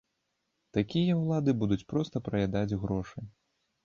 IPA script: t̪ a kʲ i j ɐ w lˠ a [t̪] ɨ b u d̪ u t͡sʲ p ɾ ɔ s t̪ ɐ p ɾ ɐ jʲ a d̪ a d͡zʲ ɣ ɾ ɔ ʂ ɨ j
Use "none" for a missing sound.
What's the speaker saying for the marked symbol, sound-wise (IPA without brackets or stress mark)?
d̪